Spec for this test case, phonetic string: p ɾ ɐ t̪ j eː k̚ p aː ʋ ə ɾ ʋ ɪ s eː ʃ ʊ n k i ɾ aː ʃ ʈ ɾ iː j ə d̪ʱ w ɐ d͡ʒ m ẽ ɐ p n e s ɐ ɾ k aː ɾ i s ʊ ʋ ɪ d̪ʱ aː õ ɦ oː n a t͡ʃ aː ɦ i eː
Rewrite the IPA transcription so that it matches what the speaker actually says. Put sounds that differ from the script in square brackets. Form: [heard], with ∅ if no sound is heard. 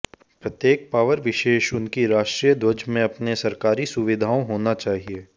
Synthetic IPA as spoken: p ɾ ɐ t̪ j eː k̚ p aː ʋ ə ɾ ʋ ɪ [ʃ] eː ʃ ʊ n k i ɾ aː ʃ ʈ ɾ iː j ə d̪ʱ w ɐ d͡ʒ m ẽ ɐ p n e s ɐ ɾ k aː ɾ i s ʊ ʋ ɪ d̪ʱ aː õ ɦ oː n a t͡ʃ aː ɦ i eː